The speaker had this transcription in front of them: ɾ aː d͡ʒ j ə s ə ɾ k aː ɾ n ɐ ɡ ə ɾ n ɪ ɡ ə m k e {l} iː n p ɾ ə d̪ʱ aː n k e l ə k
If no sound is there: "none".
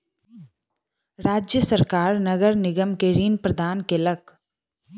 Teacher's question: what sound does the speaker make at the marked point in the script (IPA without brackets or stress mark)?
ɾ